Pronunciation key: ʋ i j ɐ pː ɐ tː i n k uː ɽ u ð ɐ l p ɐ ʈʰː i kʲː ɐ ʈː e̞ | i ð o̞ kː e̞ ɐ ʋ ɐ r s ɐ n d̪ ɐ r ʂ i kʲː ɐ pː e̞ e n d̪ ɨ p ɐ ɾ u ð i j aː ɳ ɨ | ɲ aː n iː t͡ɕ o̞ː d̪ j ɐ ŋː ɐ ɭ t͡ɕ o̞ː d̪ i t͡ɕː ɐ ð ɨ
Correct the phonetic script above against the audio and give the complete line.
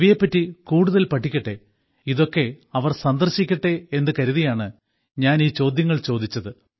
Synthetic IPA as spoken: ʋ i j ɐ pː ɐ tː i k uː ɽ u ð ɐ l p ɐ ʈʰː i kʲː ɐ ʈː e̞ | i ð o̞ kː e̞ ɐ ʋ ɐ r s ɐ n d̪ ɐ r ɕ i kʲː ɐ ʈː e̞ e n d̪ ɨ k ɐ ɾ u ð i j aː ɳ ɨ | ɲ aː n iː t͡ɕ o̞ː d̪ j ɐ ŋː ɐ ɭ t͡ɕ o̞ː d̪ i t͡ɕː ɐ ð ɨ